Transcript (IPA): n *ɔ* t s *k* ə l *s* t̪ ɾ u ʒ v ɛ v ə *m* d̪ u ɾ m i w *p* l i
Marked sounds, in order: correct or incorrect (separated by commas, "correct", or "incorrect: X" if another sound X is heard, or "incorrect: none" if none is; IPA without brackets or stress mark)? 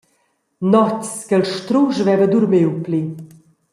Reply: correct, correct, incorrect: ʃ, incorrect: none, correct